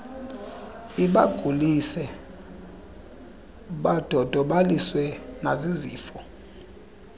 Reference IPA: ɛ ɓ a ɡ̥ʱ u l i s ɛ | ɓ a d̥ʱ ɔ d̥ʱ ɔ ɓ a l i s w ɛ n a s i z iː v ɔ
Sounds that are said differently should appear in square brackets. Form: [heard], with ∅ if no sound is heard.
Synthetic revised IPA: [i] ɓ a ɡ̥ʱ u l i s ɛ | ɓ a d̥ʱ ɔ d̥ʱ ɔ ɓ a l i s w ɛ n a [z] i z iː [f] ɔ